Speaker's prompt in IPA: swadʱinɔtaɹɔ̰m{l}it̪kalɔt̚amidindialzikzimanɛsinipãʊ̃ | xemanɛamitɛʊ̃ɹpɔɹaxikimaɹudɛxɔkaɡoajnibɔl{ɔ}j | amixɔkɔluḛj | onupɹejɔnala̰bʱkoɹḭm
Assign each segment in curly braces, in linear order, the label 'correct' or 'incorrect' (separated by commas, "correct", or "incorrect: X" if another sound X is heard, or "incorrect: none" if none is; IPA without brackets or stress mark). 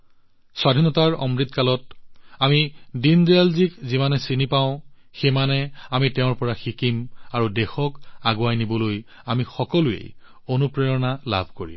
incorrect: ɹ, incorrect: o